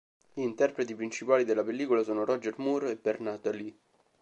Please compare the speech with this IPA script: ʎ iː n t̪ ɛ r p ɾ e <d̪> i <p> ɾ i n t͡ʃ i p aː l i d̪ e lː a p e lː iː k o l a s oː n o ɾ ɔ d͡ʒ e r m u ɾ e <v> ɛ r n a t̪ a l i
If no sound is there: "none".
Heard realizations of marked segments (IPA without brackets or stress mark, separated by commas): t̪, p, b